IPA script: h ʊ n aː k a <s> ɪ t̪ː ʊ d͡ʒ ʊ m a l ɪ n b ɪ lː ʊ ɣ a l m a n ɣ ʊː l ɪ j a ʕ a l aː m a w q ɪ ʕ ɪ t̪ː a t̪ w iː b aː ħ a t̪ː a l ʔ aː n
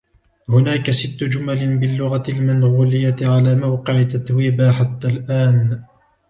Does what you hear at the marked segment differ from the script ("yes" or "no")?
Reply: no